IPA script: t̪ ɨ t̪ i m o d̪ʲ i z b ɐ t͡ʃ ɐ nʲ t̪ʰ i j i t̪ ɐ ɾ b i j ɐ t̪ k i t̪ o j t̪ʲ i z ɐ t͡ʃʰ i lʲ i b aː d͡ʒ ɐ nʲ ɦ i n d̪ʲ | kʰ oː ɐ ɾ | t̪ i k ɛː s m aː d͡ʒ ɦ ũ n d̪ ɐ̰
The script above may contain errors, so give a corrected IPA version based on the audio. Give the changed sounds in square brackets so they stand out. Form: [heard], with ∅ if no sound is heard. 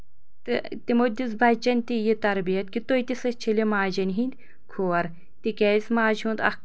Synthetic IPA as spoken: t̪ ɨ t̪ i m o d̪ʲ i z b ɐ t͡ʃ ɐ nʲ [t̪] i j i t̪ ɐ ɾ b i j ɐ t̪ k i t̪ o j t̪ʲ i [s] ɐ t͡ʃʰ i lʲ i [m] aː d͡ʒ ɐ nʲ ɦ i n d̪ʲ | kʰ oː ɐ ɾ | t̪ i k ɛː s m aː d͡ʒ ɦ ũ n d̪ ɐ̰